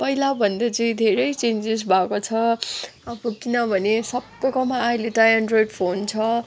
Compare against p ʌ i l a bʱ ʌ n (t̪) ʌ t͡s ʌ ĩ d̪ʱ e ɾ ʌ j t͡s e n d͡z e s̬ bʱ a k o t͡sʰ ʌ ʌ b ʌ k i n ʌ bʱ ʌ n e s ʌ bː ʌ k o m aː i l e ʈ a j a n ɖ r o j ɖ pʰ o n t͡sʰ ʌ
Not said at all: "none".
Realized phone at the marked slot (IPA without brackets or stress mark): d̪